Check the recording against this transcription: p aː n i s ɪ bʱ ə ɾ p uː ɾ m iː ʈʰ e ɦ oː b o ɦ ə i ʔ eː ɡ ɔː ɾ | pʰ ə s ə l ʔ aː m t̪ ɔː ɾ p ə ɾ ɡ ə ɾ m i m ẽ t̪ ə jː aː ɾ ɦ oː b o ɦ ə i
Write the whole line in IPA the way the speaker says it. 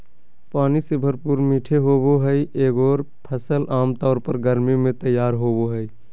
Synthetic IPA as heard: p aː n i s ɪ bʱ ə ɾ p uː ɾ m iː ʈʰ e ɦ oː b o ɦ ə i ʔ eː ɡ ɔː ɾ | pʰ ə s ə l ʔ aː m t̪ ɔː ɾ p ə ɾ ɡ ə ɾ m i m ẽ t̪ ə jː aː ɾ ɦ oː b o ɦ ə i

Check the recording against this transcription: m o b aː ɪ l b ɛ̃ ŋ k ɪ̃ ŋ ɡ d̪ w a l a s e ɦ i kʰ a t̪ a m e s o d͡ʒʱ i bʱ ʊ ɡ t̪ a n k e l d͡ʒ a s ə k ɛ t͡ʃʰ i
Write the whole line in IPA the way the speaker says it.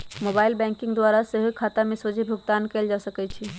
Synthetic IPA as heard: m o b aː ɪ l b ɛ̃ ŋ k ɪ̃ ŋ ɡ d̪ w a ɾ a s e ɦ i kʰ a t̪ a m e s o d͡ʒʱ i bʱ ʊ ɡ t̪ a n k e l d͡ʒ a s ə k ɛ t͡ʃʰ i

